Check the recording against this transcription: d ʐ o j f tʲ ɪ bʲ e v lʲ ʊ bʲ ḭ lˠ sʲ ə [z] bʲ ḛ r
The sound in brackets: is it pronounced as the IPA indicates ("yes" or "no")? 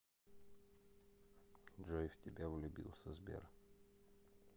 yes